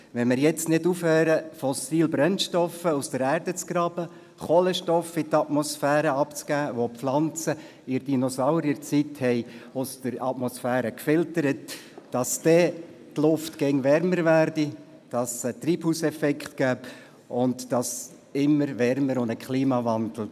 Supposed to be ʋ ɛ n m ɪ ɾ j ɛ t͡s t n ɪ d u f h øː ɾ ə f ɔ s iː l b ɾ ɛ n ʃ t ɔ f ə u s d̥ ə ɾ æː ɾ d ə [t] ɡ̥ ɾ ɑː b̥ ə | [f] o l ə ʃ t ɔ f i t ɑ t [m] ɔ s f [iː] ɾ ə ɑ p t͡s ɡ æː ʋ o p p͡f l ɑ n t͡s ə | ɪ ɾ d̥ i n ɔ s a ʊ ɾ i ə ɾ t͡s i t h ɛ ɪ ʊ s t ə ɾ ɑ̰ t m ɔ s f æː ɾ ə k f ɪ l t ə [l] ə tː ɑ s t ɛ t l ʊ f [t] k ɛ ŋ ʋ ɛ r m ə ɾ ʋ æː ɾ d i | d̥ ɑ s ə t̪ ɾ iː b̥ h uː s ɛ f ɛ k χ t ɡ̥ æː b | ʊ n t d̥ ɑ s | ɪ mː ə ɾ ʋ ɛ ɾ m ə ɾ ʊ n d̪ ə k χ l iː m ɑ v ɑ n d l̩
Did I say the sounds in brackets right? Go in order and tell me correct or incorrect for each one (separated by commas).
incorrect, incorrect, correct, incorrect, incorrect, correct